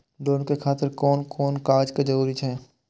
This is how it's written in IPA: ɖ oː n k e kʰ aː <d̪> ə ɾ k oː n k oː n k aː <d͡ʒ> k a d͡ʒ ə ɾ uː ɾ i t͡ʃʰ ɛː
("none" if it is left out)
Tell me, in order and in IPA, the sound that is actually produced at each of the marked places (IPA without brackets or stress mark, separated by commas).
t̪, d͡ʒ